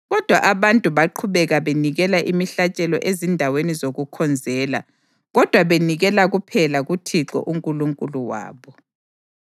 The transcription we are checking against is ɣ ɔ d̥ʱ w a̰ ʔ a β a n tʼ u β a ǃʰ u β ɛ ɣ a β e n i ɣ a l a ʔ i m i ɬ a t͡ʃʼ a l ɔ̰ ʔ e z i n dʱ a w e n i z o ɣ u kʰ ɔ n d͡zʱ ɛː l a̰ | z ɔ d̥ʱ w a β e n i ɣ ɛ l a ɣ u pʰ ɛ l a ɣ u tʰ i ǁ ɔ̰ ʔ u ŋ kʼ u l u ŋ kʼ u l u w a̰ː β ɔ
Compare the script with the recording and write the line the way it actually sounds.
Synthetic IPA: ɣ ɔ d̥ʱ w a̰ ʔ a β a n tʼ u β a ǃʰ u β ɛ ɣ a β e n i ɣ ɛ l a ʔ i m i ɬ a t͡ʃʼ ɛ l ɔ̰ ʔ e z i n dʱ a w e n i z o ɣ u kʰ ɔ n d͡zʱ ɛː l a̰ | ɣ ɔ d̥ʱ w a β e n i ɣ ɛ l a ɣ u pʰ ɛ l a ɣ u tʰ i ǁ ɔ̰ ʔ u ŋ kʼ u l u ŋ kʼ u l u w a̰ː β ɔ